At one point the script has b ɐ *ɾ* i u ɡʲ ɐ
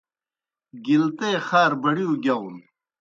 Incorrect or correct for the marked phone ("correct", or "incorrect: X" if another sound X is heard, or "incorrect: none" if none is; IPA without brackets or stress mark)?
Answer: incorrect: ɽ